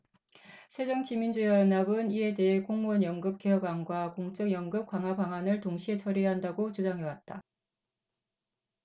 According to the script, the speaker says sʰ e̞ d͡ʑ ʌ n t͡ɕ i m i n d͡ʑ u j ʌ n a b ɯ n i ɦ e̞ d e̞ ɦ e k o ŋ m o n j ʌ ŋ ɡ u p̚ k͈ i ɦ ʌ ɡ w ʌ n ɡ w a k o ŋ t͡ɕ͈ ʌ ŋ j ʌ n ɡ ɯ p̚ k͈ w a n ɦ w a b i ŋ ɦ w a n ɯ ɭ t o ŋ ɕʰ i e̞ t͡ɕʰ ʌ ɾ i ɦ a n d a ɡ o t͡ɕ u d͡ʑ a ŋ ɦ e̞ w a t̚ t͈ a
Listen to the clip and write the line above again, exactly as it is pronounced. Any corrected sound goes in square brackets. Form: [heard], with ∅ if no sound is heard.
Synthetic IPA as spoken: sʰ e̞ d͡ʑ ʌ [ŋ] t͡ɕ i m i n d͡ʑ u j ʌ n a b ɯ n i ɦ e̞ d e̞ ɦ e k o ŋ m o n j ʌ ŋ ɡ [ɯ] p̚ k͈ [e] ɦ ʌ ɡ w [a] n ɡ w a k o ŋ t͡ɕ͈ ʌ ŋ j ʌ [ŋ] ɡ ɯ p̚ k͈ w a [ŋ] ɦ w a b [a] ŋ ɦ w a n ɯ ɭ t o ŋ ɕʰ i e̞ t͡ɕʰ ʌ ɾ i ɦ a n d a ɡ o t͡ɕ u d͡ʑ a ŋ ɦ e̞ w a t̚ t͈ a